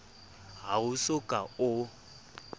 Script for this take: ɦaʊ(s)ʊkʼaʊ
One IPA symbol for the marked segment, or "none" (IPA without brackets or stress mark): s